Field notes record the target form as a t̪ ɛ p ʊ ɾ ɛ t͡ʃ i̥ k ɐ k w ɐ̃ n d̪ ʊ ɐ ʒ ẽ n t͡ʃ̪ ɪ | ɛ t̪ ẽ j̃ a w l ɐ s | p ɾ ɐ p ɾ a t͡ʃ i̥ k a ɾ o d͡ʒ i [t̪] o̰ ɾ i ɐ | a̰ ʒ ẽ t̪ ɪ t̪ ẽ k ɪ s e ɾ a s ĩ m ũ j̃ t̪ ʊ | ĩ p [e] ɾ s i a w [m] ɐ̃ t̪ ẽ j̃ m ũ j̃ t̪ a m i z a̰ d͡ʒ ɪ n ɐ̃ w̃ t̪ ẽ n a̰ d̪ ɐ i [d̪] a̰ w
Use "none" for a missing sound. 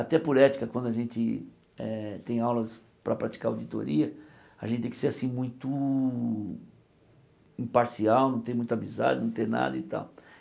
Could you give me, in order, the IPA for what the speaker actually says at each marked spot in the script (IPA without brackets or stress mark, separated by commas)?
t̪, a, n, t̪